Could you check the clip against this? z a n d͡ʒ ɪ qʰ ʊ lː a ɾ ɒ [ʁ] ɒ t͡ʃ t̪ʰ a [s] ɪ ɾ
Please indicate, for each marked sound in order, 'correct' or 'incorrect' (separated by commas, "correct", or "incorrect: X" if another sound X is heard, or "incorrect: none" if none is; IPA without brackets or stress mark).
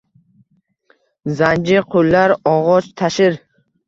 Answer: correct, incorrect: ʃ